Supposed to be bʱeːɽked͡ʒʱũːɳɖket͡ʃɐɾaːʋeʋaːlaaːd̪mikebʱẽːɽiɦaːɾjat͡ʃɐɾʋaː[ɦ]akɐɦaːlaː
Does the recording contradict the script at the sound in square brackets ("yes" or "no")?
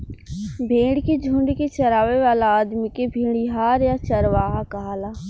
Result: no